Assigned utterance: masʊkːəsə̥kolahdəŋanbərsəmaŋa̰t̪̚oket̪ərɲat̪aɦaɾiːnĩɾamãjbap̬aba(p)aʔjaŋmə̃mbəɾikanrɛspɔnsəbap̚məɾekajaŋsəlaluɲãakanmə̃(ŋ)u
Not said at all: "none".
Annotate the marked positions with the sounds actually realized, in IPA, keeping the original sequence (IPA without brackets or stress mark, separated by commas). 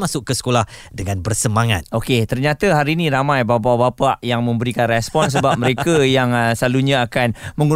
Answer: p, ŋ